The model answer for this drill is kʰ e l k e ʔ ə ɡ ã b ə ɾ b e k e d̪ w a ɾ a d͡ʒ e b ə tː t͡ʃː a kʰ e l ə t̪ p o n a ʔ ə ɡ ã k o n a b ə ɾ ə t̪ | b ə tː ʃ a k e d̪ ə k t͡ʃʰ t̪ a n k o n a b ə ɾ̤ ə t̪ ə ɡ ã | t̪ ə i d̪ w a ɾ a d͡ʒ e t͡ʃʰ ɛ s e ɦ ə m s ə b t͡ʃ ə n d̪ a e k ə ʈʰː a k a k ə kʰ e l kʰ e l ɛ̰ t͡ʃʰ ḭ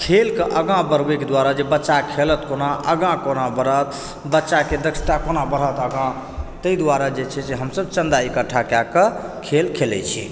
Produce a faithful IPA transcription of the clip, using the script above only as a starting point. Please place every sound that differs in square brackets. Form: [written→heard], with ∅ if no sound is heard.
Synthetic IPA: kʰ e l k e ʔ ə ɡ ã b ə ɾ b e k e d̪ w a ɾ a d͡ʒ e b ə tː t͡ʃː a kʰ e l ə t̪ [p→k] o n a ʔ ə ɡ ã k o n a b ə ɾ ə t̪ | b ə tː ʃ a k e d̪ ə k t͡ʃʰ t̪ a [n→∅] k o n a b ə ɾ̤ ə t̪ ə ɡ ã | t̪ ə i d̪ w a ɾ a d͡ʒ e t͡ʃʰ ɛ s e ɦ ə m s ə b t͡ʃ ə n d̪ a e k ə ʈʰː a k a k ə kʰ e l kʰ e l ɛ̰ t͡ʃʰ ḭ